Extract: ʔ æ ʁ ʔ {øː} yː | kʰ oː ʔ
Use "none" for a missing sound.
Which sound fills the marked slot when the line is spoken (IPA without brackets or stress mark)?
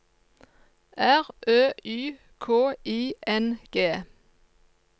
øː